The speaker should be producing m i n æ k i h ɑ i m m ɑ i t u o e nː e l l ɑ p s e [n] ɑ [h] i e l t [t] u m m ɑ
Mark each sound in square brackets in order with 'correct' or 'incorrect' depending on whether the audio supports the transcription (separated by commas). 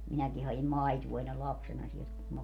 correct, incorrect, incorrect